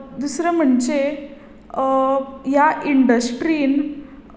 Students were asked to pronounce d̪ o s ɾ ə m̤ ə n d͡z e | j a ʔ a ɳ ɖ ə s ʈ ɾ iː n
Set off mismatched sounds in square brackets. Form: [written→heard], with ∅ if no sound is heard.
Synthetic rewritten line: d̪ [o→u] s ɾ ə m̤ ə [n→ɳ] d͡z e | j a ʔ [a→i] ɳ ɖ ə s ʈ ɾ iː n